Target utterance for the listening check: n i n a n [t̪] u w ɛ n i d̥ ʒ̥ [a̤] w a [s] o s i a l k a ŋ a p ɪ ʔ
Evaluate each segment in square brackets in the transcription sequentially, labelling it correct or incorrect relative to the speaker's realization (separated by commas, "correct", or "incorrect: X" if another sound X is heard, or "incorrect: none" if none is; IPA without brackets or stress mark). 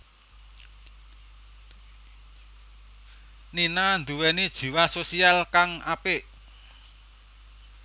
incorrect: d̪, incorrect: i̤, correct